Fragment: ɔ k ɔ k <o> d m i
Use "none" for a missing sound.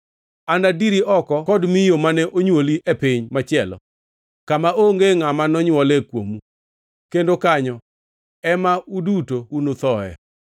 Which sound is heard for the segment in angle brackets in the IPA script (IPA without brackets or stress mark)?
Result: ɔ